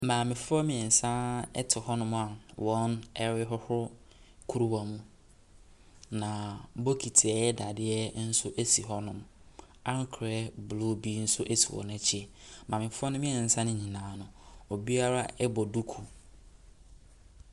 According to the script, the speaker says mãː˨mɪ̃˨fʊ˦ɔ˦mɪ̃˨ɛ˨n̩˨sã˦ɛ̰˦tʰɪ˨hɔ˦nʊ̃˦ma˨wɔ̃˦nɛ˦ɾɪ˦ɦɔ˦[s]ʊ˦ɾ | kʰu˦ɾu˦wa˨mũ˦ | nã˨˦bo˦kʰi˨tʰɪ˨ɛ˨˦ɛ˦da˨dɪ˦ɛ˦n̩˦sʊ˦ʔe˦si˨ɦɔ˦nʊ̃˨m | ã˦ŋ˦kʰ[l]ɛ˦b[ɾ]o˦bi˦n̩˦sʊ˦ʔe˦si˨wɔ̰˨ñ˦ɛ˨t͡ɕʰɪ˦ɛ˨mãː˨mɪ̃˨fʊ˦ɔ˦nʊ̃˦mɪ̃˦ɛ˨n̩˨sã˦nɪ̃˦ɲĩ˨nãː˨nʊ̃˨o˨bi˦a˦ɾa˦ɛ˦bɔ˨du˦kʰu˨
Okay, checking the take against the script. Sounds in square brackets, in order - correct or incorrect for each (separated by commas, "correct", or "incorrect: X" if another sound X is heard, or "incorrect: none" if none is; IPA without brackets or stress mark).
incorrect: h, incorrect: ɾ, incorrect: l